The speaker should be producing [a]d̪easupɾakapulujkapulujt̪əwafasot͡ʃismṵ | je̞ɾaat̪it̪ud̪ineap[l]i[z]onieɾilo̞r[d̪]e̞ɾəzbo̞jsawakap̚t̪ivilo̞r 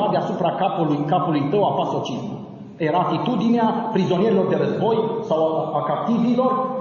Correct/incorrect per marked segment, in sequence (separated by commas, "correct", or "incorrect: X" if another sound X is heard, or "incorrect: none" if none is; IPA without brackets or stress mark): correct, incorrect: ɾ, correct, correct